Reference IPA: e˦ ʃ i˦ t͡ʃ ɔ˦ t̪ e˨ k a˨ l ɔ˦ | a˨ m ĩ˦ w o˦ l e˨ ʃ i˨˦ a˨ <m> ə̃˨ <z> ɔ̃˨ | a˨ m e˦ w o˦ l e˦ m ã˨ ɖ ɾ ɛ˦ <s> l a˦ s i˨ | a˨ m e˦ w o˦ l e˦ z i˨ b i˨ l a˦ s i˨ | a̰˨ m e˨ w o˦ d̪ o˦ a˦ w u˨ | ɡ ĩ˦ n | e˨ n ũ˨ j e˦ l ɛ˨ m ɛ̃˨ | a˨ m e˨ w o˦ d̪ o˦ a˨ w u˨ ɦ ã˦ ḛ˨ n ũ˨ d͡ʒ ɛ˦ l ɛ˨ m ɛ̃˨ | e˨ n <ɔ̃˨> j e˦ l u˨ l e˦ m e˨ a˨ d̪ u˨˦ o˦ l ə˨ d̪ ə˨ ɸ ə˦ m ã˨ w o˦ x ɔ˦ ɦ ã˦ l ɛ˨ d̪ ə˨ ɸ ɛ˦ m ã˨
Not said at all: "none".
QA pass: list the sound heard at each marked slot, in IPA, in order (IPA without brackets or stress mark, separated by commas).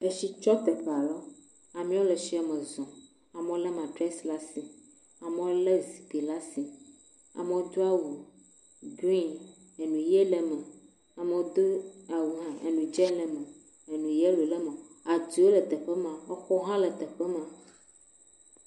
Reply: m, z, s, ũ˨